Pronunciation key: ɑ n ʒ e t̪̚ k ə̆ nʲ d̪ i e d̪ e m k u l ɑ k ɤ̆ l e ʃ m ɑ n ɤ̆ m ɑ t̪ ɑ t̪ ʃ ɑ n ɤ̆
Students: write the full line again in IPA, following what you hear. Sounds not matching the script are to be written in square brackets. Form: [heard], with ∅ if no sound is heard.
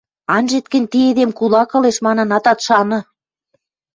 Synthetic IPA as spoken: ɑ n ʒ e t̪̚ k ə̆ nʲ [t̪] i e d̪ e m k u l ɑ k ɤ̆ l e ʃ m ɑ n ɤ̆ [n] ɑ t̪ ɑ t̪ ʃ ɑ n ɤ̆